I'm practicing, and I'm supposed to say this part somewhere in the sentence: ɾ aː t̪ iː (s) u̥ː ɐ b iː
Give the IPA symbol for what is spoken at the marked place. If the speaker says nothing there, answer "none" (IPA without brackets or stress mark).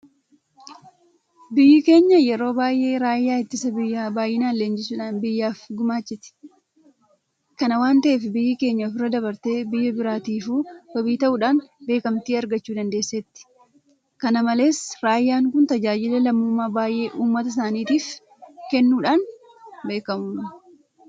f